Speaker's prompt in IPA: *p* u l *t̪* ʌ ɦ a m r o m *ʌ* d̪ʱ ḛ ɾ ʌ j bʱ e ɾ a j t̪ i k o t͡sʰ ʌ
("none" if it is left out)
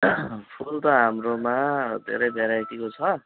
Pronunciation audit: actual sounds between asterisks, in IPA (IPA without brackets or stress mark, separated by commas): pʰ, t̪, a